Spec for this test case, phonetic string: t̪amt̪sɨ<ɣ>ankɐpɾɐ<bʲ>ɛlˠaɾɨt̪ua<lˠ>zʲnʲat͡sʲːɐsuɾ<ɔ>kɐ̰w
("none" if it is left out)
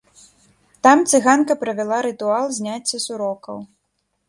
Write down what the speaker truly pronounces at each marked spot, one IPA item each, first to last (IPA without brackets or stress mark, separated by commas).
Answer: ɣ, vʲ, lˠ, ɔ